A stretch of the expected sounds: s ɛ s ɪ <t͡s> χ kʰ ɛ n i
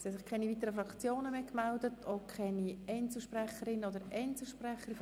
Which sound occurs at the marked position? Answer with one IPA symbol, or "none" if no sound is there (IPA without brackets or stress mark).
none